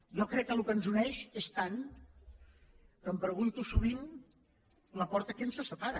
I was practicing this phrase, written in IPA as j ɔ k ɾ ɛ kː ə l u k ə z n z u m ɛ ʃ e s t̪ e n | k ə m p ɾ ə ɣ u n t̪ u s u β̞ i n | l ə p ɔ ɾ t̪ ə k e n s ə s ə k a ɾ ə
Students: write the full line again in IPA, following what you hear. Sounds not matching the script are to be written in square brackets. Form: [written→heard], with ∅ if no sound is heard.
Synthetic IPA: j ɔ k ɾ ɛ kː ə l u k ə [z→∅] n z u [m→n] ɛ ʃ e s t̪ [e→a] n | k ə m p ɾ ə ɣ u n t̪ u s u β̞ i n | l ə p ɔ ɾ t̪ ə k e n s ə s ə [k→p] a ɾ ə